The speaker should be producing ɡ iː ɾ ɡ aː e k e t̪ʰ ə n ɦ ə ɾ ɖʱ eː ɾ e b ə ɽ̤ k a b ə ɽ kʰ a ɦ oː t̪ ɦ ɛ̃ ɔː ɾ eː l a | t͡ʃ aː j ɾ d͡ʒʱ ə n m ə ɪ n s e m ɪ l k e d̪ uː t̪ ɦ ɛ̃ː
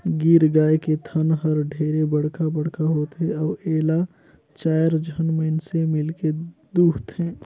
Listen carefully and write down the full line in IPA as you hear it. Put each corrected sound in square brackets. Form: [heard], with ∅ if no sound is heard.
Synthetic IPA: ɡ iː ɾ ɡ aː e k e t̪ʰ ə n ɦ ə ɾ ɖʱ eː ɾ e b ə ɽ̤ k a b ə ɽ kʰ a ɦ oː t̪ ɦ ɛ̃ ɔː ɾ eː l a | t͡ʃ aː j ɾ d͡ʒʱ ə n m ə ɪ n s e m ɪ l k e d̪ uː t̪ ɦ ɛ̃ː